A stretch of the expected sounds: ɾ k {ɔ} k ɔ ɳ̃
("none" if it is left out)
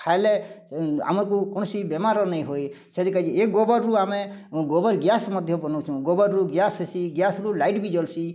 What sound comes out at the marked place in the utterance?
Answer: u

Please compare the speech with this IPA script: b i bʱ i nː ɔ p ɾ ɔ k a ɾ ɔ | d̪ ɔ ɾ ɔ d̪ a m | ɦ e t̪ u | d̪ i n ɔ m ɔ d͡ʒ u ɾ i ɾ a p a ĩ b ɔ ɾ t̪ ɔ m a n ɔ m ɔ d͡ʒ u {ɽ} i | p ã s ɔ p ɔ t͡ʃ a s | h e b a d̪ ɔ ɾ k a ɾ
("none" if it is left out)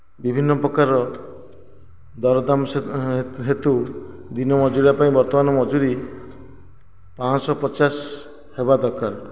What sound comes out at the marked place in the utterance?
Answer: ɾ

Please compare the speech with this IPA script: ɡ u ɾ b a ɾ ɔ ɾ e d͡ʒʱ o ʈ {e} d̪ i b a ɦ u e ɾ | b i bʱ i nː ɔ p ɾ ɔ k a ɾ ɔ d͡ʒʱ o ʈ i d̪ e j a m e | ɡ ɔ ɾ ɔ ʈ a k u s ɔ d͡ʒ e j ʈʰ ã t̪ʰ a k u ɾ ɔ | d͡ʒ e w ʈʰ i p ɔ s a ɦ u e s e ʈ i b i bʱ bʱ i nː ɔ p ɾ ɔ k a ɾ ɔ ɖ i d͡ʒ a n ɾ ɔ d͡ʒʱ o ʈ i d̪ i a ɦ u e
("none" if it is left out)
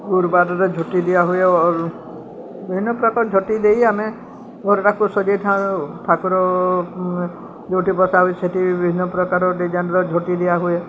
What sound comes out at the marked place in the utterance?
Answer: i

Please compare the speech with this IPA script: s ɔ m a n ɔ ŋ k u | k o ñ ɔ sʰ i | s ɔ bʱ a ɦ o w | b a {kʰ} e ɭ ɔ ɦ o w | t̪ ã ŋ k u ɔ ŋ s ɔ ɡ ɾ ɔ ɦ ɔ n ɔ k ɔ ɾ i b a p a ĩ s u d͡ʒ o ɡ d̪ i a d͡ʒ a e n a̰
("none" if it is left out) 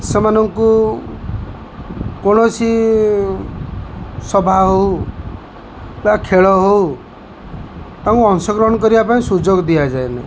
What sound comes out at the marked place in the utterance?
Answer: kʰ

